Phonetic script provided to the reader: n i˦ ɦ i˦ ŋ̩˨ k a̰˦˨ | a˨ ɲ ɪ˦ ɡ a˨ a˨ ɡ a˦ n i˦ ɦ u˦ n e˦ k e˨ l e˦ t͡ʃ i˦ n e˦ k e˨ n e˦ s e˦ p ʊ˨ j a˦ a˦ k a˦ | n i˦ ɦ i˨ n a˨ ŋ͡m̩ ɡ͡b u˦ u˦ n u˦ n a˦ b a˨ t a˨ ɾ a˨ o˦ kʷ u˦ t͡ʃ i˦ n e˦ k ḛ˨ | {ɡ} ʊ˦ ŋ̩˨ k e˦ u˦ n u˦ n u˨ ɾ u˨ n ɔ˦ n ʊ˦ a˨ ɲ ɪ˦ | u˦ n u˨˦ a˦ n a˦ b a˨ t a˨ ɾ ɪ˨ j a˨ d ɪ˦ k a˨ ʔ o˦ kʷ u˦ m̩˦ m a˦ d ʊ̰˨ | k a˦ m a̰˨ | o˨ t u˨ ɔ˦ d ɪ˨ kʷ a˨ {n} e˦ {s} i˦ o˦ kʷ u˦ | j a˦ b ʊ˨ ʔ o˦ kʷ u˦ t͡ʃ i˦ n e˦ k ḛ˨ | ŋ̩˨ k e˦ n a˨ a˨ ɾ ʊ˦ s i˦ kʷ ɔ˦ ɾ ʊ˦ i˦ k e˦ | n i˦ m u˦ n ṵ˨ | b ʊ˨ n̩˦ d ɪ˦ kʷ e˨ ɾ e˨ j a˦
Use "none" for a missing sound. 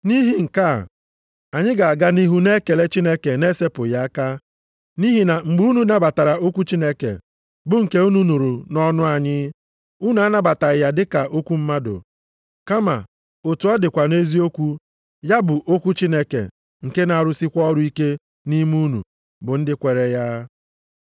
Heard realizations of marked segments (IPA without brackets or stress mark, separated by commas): b, n, z